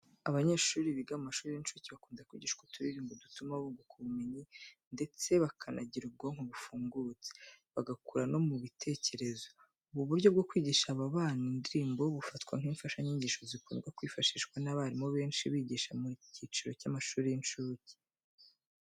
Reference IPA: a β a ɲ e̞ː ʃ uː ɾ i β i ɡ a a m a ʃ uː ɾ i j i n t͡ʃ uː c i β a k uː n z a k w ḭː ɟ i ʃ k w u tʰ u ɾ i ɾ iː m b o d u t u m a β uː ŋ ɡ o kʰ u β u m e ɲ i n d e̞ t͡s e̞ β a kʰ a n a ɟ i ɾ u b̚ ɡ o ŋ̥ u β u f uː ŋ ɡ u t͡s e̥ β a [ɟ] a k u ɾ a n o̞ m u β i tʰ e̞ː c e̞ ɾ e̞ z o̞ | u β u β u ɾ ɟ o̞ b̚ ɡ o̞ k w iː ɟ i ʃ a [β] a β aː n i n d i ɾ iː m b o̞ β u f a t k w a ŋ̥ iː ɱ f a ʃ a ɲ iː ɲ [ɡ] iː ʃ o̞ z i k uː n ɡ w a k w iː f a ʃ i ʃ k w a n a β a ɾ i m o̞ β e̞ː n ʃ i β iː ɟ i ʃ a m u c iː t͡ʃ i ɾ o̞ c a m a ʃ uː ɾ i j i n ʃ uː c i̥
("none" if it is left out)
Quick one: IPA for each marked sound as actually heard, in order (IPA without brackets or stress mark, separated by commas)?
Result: ɡ, β, ɟ